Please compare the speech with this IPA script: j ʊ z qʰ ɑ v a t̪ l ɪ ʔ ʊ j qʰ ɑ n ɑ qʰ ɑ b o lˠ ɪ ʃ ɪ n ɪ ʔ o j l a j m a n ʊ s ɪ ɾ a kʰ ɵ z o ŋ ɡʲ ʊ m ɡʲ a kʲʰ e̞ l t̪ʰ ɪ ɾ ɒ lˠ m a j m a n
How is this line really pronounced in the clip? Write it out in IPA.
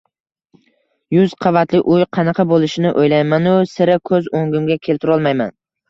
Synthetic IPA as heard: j ʊ z qʰ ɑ v a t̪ l ɪ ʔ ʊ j qʰ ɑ n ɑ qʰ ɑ b o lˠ ɪ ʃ ɪ n ɪ ʔ o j l a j m a n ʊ s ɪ ɾ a kʰ ɵ z o ŋ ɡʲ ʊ m ɡʲ a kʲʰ e̞ l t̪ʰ ɪ ɾ ɒ lˠ m a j m a n